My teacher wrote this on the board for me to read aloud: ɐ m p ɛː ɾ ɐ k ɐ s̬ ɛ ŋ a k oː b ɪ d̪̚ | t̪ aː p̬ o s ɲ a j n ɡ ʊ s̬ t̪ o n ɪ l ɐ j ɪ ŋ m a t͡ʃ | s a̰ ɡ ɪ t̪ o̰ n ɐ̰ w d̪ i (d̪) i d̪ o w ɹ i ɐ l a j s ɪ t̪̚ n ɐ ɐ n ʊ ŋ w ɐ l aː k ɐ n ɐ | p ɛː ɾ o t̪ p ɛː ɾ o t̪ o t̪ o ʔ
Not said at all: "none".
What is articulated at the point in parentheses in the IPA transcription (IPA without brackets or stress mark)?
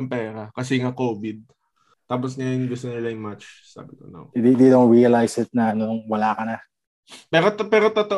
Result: d̪